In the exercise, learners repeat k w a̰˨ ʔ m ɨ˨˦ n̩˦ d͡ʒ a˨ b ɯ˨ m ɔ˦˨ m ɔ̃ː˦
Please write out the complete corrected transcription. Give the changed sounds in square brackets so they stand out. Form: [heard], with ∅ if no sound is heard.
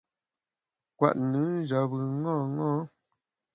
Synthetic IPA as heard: k w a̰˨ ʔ [n] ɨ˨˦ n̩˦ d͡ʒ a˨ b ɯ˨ [ŋ] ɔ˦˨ [ŋ] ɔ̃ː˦